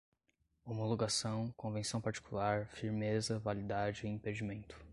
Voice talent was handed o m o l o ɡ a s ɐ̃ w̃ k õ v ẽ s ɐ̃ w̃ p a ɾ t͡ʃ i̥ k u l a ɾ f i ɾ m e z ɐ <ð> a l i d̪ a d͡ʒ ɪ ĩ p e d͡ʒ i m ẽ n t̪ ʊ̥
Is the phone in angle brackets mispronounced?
yes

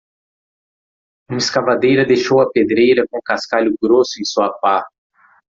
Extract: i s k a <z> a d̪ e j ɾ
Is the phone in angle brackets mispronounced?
yes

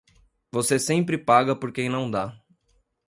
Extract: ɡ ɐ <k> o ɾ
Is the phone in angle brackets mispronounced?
yes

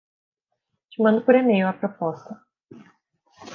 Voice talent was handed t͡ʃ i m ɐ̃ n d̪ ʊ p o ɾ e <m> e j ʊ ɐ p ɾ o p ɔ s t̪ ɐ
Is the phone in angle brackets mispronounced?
no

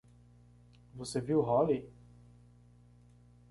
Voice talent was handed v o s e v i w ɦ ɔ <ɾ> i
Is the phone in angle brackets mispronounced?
yes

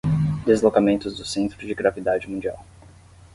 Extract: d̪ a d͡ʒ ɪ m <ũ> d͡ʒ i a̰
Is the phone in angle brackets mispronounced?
no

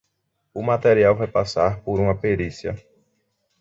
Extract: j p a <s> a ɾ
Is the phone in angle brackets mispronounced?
no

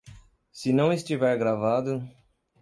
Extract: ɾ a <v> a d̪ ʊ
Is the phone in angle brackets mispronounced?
no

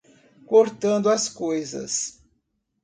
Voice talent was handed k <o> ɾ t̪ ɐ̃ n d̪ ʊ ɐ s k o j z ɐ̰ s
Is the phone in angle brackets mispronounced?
no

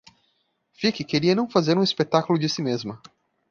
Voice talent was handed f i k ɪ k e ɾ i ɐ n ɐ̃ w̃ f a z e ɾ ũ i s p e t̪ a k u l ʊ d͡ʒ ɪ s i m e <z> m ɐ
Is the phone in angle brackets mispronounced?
no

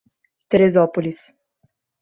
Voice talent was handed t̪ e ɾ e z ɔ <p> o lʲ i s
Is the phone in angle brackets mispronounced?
no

